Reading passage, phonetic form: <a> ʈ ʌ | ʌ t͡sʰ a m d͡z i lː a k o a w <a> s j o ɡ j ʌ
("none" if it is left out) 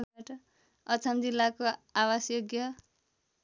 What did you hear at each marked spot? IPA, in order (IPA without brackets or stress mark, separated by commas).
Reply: a, a